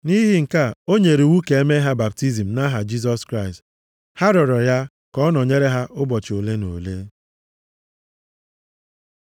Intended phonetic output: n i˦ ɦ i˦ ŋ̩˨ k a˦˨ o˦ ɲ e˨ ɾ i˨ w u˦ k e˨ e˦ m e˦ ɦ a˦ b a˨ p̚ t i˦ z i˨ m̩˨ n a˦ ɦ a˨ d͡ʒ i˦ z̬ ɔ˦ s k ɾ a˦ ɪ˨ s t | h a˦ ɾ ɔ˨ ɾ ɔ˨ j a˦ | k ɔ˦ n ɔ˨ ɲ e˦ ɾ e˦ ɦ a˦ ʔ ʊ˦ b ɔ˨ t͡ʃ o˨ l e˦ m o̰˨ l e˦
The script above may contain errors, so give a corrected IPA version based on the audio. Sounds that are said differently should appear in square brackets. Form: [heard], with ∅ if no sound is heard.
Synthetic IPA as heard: n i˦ ɦ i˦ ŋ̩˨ k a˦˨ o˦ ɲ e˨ ɾ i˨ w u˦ k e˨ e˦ m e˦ ɦ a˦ b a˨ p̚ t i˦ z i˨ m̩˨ n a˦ ɦ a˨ d͡ʒ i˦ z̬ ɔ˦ s k ɾ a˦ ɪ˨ s t | h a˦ ɾ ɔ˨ ɾ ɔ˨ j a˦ | k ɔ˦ n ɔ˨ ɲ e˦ ɾ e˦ ɦ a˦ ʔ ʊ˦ b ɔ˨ t͡ʃ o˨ l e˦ [n] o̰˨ l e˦